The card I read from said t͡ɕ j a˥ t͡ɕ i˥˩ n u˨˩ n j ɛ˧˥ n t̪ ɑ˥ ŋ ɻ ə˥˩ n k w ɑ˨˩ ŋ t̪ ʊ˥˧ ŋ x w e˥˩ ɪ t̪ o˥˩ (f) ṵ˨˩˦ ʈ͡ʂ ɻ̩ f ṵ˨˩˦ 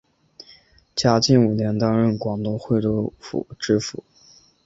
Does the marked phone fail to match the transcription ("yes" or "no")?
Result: no